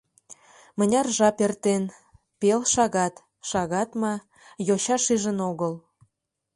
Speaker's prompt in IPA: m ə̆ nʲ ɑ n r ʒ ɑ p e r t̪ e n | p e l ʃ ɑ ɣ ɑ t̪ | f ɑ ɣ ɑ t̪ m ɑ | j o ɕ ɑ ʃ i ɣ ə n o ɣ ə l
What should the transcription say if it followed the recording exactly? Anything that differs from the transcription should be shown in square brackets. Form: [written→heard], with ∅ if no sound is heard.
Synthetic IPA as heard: m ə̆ nʲ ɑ [n→∅] r ʒ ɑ p e r t̪ e n | p e l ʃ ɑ ɣ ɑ t̪ | [f→ʃ] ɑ ɣ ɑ t̪ m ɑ | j o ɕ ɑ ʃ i [ɣ→ʒ] ə n o ɣ ə l

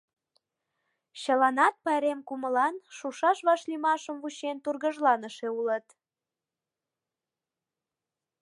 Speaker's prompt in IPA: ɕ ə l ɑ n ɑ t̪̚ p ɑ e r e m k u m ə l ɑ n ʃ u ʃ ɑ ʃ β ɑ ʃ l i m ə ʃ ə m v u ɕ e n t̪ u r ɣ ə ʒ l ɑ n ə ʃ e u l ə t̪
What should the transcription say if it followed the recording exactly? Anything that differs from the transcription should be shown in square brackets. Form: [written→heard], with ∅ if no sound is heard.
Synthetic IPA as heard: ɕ ə l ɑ n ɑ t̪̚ p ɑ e [r→ɾ] e m k u m ə l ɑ n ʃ u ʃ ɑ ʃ β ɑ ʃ l i m [ə→ɑ] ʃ ə m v u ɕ e n t̪ u r ɣ ə ʒ l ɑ n ə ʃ e u l ə t̪

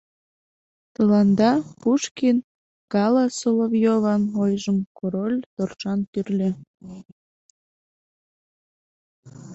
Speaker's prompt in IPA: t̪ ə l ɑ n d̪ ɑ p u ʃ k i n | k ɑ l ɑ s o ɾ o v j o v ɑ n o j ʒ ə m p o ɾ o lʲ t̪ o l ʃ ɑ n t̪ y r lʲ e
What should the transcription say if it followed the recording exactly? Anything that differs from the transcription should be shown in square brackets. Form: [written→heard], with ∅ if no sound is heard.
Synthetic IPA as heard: t̪ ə l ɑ n d̪ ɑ p u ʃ k i n | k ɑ l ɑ s o [ɾ→l] o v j o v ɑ n o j ʒ ə m [p→k] o ɾ o lʲ t̪ o [l→r] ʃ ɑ n t̪ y r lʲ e

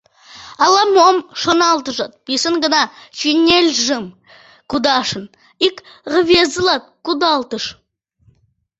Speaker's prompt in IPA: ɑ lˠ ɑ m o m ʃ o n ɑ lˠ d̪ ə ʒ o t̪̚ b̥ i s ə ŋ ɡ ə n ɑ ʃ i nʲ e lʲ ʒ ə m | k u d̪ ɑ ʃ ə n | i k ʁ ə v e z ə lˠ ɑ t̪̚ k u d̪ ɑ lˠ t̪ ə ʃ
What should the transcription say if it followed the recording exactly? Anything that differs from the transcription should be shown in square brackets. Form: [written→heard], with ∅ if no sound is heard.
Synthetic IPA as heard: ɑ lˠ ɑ m o m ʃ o n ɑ lˠ [d̪→t̪] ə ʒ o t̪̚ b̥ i s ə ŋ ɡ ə n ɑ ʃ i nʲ e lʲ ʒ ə m | k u d̪ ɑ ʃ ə n | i k ʁ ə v e z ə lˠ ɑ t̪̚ k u d̪ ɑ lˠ t̪ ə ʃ

